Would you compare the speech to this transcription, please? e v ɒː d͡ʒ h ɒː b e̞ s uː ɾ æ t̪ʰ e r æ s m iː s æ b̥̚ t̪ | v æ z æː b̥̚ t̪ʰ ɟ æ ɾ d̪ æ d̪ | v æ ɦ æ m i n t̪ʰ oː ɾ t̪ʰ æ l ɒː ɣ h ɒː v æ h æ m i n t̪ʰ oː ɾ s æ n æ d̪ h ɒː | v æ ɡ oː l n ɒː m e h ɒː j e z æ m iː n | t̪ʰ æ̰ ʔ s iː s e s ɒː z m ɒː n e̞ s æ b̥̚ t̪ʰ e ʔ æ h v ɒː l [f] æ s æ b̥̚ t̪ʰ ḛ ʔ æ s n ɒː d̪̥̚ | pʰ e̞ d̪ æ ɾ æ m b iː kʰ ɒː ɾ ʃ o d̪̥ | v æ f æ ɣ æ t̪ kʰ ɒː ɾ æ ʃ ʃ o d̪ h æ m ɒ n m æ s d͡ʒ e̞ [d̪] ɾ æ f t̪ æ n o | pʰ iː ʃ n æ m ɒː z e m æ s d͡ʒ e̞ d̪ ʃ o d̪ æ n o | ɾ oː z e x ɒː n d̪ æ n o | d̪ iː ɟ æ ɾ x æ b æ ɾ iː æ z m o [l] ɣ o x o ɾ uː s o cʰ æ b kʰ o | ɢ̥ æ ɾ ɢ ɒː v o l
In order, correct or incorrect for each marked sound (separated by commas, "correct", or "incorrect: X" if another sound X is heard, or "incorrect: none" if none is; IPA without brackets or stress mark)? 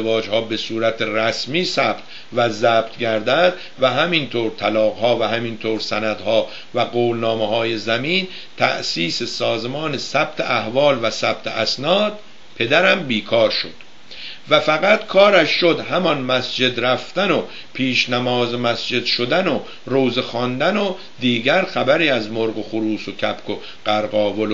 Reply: incorrect: v, correct, incorrect: ɾ